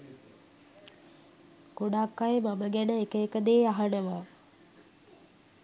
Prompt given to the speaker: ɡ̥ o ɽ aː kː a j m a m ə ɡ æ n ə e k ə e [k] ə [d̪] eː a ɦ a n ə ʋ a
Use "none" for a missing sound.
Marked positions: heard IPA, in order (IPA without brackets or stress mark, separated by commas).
k, d̪